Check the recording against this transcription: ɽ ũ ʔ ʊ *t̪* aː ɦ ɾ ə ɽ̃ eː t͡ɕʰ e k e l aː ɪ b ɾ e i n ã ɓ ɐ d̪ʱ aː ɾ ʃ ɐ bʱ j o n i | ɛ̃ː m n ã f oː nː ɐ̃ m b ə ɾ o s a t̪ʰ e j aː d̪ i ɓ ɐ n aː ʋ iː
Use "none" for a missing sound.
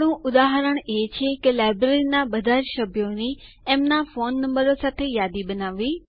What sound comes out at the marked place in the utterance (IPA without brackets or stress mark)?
d̪